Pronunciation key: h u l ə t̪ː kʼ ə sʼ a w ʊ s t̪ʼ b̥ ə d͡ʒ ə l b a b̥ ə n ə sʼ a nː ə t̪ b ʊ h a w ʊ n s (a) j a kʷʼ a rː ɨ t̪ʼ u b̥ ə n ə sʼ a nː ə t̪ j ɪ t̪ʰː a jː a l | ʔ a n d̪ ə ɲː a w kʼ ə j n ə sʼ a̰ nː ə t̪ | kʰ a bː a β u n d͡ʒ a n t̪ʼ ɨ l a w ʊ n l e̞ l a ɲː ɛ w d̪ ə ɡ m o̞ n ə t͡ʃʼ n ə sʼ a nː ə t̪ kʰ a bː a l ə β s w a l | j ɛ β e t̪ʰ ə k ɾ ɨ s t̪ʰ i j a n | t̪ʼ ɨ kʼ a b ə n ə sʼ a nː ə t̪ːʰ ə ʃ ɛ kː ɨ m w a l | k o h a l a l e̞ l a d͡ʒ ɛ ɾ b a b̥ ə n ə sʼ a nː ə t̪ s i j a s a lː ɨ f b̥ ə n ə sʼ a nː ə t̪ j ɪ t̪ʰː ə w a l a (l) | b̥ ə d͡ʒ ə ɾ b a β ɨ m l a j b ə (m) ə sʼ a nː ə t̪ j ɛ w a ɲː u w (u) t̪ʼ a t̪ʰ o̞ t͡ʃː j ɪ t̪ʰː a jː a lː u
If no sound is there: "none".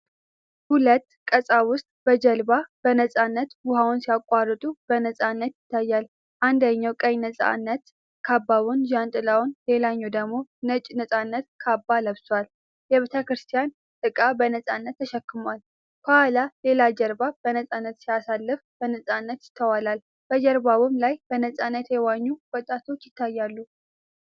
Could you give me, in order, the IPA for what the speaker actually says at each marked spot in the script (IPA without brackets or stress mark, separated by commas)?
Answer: i, l, n, ɔ